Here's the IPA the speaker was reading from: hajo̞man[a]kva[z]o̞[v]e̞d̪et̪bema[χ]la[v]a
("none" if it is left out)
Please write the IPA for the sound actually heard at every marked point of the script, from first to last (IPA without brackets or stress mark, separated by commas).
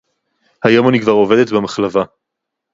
i, ʁ, v, χ, v